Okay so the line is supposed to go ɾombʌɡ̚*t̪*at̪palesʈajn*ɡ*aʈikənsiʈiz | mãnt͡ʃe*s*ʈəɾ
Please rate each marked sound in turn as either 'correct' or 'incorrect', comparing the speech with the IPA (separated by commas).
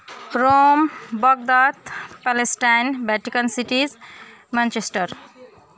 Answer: incorrect, incorrect, correct